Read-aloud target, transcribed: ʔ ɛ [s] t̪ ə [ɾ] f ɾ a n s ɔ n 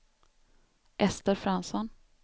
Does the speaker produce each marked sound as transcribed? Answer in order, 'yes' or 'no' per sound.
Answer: yes, yes

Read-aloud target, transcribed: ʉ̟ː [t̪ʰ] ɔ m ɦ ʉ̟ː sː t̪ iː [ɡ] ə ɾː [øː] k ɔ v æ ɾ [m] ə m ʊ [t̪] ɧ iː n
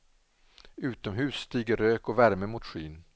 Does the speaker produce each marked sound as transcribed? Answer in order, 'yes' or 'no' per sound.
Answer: no, yes, yes, yes, yes

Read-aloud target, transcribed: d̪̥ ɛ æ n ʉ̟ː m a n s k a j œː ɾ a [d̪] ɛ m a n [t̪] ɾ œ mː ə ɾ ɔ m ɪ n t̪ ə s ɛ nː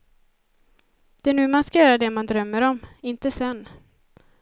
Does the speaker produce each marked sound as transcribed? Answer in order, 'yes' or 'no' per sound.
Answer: yes, no

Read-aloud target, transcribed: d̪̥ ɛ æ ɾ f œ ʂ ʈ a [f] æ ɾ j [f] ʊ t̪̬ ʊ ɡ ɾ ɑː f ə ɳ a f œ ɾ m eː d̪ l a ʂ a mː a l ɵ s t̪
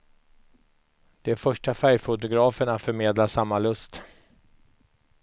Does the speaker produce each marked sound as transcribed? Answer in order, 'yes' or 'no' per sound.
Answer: yes, yes

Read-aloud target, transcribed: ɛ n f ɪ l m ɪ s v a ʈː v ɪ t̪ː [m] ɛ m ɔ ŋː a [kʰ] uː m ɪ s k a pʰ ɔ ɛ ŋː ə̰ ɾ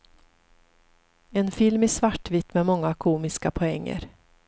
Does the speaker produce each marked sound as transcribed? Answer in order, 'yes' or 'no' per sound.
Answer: yes, yes

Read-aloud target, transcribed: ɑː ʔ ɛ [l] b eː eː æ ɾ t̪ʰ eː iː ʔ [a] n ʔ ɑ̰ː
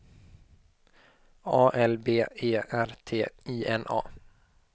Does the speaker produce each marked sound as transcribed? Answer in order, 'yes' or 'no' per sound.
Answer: yes, no

